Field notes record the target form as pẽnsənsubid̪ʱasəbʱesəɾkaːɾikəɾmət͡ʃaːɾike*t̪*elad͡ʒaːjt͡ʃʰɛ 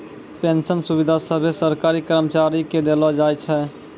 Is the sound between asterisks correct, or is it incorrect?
incorrect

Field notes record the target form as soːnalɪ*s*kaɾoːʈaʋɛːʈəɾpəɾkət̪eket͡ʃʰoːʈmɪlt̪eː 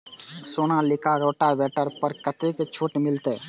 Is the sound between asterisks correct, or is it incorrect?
incorrect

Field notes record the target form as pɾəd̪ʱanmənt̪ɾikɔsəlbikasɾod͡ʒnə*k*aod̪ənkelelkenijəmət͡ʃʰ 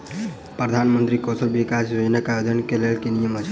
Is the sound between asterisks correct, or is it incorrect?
correct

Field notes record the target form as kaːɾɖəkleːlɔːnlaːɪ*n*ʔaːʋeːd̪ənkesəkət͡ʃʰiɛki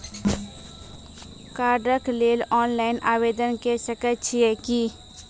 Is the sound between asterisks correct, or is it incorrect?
correct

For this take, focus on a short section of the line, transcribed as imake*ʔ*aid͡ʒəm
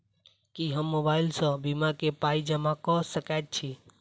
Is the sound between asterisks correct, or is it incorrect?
incorrect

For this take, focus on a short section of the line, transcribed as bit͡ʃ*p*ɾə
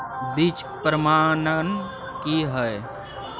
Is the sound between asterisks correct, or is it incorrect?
correct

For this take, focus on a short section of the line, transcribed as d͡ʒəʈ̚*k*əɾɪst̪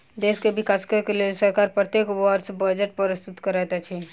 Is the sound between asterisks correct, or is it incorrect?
incorrect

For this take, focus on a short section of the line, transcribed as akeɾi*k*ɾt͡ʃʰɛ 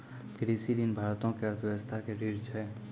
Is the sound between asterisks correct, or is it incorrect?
incorrect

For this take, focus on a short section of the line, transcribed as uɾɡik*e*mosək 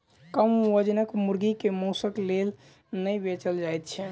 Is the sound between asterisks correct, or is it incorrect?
correct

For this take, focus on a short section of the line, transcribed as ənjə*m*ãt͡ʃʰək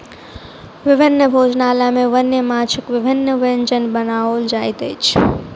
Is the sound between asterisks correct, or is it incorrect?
correct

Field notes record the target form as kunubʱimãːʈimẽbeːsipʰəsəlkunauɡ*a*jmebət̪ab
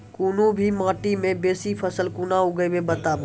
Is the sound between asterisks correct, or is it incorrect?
incorrect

